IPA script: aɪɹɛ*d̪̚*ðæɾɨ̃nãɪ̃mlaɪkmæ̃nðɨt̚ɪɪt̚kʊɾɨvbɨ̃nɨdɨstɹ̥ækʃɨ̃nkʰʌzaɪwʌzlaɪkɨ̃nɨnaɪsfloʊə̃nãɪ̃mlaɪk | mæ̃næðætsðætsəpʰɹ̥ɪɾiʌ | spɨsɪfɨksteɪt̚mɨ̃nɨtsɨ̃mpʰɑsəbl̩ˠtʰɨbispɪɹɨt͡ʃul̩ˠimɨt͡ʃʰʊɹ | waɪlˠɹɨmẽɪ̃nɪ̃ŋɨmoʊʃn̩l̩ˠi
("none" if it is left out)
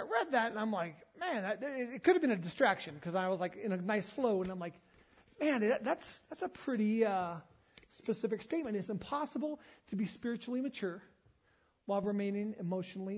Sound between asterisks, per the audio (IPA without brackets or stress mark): d̪̚